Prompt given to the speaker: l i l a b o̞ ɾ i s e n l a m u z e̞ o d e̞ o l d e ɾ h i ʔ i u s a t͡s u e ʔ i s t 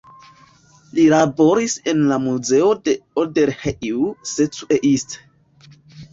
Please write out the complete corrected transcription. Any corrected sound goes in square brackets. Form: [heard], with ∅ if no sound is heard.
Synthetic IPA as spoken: l i l a b o̞ ɾ i s e n l a m u z e̞ o d e̞ o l d e ɾ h [e] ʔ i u s [e] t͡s u e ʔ i s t